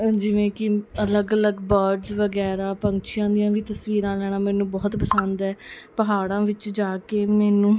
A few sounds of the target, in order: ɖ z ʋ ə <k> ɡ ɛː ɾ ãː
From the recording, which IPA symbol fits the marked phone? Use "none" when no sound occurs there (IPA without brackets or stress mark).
none